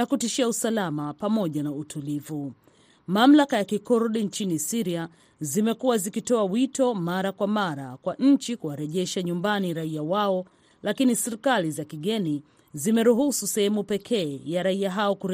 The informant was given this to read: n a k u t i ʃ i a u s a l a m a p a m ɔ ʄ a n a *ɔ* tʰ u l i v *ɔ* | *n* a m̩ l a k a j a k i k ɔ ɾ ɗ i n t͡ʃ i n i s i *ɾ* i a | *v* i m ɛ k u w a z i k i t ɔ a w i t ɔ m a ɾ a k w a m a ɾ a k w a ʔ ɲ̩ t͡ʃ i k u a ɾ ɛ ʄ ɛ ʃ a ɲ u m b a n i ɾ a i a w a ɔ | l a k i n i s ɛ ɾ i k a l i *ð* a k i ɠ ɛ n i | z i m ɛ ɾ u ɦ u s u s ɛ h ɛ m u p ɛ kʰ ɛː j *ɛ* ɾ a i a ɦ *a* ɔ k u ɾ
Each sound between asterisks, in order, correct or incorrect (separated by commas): incorrect, incorrect, incorrect, correct, incorrect, incorrect, incorrect, correct